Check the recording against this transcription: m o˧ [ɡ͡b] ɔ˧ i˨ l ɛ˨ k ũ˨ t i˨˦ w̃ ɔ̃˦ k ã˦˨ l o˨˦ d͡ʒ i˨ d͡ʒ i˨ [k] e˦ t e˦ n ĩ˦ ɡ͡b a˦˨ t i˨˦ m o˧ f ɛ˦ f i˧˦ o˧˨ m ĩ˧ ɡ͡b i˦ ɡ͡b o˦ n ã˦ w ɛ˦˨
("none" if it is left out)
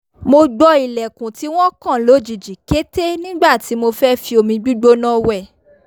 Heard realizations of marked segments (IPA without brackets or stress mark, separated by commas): ɡ͡b, k